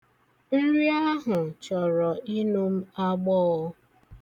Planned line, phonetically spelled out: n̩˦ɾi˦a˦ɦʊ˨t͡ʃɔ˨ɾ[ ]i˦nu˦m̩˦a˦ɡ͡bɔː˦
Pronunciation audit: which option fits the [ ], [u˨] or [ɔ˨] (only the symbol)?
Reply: ɔ˨